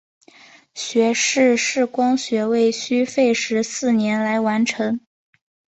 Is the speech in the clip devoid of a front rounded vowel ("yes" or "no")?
no